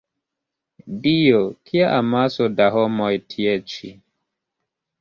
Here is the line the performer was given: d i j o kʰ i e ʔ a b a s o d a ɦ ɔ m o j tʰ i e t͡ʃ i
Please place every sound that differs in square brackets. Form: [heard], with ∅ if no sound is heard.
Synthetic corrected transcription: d i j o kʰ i [a] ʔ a [m] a s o d a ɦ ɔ m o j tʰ i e t͡ʃ i